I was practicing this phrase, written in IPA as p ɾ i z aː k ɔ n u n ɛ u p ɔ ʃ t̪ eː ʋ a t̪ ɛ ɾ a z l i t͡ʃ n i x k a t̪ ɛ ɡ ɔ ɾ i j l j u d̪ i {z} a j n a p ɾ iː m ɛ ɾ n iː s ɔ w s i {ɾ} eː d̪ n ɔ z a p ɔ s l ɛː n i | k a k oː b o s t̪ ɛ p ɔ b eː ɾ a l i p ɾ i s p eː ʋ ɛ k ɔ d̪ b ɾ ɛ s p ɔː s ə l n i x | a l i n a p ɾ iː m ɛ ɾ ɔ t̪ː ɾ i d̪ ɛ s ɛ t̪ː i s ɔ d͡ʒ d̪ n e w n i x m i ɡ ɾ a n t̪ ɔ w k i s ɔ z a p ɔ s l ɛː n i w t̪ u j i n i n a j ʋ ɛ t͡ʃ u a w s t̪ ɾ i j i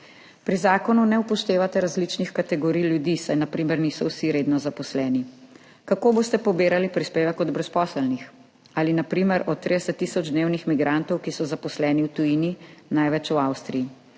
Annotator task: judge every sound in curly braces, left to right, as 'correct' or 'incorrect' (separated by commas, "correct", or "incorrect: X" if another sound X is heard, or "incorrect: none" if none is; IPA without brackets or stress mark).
incorrect: s, correct